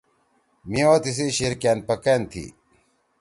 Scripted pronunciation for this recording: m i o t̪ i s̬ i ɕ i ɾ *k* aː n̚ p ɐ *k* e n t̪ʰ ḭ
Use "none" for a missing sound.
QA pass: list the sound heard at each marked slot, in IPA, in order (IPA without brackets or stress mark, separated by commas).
k, k